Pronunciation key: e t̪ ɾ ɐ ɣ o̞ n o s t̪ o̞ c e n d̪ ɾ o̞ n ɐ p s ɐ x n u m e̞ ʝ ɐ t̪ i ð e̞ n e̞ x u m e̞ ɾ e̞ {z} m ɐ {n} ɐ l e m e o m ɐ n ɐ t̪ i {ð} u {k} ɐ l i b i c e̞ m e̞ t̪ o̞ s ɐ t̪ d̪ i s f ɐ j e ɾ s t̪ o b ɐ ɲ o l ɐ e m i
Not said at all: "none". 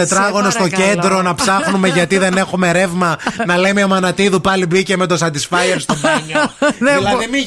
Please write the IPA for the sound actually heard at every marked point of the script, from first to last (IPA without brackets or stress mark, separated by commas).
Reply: v, n, ð, p